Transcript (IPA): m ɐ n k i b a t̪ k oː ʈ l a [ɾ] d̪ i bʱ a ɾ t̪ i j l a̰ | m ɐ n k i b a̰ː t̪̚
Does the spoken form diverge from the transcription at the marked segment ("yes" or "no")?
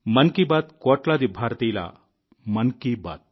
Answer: yes